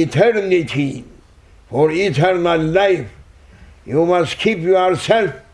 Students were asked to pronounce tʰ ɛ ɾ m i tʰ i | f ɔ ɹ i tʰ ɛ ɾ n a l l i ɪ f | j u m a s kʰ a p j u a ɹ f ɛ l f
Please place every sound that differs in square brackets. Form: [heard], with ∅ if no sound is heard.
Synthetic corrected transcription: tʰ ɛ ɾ [n] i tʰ i | f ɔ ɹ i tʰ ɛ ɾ n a l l [a] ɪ f | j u m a s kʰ [i] p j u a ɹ [s] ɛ l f